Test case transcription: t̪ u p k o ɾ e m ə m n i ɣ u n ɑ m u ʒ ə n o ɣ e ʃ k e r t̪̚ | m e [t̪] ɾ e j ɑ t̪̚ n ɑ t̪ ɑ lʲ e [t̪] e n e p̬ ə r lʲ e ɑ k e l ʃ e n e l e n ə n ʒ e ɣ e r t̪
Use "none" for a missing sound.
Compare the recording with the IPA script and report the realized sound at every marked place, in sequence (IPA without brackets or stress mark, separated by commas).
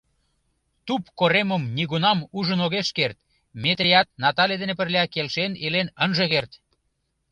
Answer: t̪, d̪